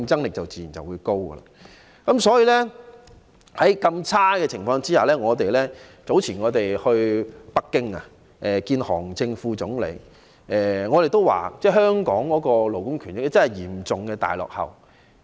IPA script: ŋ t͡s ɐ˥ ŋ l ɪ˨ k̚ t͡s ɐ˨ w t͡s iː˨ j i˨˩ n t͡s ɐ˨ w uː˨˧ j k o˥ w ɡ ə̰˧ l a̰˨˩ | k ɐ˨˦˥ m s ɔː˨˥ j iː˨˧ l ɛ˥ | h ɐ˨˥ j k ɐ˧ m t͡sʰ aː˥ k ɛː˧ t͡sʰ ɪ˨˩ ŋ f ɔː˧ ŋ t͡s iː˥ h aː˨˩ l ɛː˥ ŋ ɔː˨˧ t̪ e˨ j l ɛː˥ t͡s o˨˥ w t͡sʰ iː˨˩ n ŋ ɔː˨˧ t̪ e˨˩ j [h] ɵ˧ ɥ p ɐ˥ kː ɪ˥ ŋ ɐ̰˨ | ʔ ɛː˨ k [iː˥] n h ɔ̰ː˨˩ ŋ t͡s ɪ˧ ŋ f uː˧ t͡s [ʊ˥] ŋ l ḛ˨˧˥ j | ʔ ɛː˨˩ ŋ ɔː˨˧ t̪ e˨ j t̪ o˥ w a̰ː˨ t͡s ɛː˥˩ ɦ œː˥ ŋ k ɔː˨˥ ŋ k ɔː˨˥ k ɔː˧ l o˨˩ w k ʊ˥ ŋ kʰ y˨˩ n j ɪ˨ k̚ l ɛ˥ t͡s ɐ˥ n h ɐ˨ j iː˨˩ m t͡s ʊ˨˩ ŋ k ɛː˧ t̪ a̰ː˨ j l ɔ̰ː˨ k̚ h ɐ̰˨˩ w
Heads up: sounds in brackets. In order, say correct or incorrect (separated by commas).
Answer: correct, incorrect, incorrect